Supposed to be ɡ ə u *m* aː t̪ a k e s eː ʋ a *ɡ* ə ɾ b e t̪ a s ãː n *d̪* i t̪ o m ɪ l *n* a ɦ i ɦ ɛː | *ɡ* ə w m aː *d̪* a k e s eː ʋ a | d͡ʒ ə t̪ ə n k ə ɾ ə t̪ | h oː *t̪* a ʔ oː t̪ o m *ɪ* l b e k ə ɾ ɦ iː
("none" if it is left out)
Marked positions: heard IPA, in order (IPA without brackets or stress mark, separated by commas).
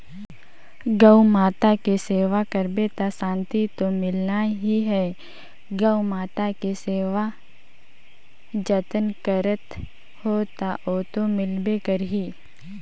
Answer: m, k, t̪, n, ɡ, t̪, t̪, ɪ